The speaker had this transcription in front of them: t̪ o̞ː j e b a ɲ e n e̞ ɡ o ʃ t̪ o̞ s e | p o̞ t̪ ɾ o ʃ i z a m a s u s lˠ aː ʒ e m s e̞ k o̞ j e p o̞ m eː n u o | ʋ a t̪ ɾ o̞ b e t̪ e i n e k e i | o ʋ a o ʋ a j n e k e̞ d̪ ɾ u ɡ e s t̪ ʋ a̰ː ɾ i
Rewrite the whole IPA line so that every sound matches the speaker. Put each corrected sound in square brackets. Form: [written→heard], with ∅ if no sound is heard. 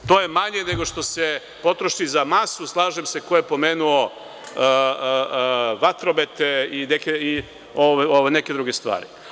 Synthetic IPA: t̪ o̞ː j e [b→m] a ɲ e n e̞ ɡ o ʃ t̪ o̞ s e | p o̞ t̪ ɾ o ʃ i z a m a s u s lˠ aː ʒ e m s e̞ k o̞ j e p o̞ m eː n u o | ʋ a t̪ ɾ o̞ b e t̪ e i n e k e i | o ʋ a o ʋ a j n e k e̞ d̪ ɾ u ɡ e s t̪ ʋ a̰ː ɾ i